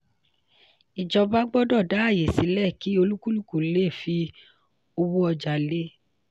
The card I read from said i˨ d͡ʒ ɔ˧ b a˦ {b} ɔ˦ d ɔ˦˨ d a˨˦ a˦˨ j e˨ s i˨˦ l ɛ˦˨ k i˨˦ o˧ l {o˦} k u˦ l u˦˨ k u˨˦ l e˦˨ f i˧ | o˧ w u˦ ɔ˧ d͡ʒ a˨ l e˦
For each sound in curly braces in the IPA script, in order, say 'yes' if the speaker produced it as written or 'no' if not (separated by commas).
no, no